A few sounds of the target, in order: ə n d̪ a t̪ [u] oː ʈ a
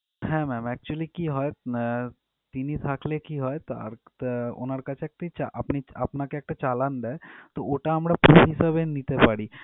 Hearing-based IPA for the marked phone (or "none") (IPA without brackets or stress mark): o